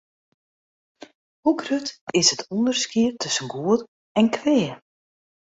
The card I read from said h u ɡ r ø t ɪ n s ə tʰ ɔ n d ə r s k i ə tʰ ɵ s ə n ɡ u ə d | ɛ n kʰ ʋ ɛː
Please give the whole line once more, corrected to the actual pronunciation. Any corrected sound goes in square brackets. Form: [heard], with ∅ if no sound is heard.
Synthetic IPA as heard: h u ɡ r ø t ɪ [∅] s ə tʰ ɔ n d ə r s k i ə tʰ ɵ s ə n ɡ u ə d | ɛ n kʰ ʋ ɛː